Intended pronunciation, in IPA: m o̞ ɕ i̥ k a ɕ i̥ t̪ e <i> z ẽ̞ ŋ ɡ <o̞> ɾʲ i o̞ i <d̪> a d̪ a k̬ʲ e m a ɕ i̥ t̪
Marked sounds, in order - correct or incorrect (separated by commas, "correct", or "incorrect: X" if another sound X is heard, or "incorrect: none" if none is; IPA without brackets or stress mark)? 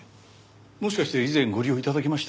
correct, correct, incorrect: t̪